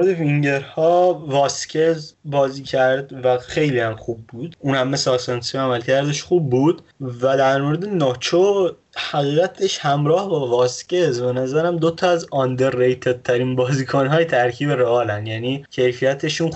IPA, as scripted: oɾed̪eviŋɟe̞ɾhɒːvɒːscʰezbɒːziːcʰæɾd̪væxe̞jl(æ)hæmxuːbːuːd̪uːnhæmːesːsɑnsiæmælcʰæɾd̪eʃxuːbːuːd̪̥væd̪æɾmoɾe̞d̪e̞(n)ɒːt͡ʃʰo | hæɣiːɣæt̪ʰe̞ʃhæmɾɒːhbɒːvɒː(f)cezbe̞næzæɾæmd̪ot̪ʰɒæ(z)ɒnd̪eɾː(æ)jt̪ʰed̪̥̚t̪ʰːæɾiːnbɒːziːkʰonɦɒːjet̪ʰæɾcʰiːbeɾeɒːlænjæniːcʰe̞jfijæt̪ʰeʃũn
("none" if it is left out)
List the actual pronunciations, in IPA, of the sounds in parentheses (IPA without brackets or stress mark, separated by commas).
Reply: i, n, s, z, e